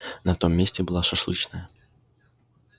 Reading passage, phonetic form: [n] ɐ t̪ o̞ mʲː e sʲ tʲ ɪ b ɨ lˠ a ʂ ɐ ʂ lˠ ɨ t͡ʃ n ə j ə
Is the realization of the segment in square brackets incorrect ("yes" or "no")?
no